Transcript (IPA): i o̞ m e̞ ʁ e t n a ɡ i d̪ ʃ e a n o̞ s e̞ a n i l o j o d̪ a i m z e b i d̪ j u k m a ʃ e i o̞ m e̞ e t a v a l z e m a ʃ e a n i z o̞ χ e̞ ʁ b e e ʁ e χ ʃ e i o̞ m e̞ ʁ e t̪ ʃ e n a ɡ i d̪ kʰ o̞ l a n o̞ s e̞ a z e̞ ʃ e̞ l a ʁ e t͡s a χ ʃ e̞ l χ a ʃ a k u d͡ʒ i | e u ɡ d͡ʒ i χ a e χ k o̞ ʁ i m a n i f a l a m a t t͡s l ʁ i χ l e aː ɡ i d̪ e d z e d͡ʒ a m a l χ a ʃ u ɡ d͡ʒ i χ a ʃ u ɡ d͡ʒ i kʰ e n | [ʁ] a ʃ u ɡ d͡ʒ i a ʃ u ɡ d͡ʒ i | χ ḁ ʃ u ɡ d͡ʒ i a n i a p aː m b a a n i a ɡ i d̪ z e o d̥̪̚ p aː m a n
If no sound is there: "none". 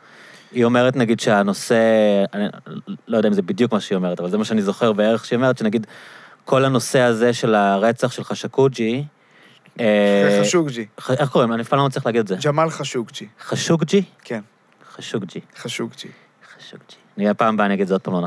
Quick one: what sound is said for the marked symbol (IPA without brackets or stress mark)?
χ